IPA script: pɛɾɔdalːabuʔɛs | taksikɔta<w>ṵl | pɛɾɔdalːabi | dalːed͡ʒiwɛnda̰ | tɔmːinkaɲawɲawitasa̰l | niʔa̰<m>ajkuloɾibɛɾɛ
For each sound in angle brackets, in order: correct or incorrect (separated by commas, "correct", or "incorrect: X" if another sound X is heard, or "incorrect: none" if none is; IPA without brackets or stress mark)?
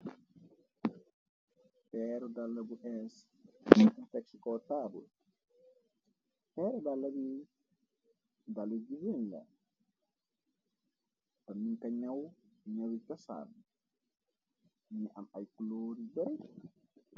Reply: incorrect: b, correct